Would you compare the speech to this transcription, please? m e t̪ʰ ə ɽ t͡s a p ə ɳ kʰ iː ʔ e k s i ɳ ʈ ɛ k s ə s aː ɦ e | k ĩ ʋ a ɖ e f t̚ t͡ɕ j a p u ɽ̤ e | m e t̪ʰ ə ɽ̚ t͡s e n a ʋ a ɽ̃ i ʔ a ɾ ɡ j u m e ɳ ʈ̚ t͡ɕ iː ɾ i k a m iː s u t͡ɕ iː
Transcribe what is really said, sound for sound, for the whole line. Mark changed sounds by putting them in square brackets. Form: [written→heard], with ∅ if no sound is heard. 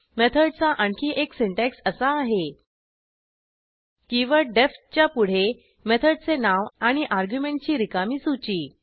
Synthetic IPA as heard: m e t̪ʰ ə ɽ t͡s a [p→ʔ] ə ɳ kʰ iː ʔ e k s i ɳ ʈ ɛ k s ə s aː ɦ e | k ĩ ʋ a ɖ e f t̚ t͡ɕ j a p u ɽ̤ e | m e t̪ʰ ə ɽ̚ t͡s e n a ʋ a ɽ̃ i ʔ a ɾ ɡ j u m e ɳ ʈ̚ t͡ɕ iː ɾ i k a m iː s u t͡ɕ iː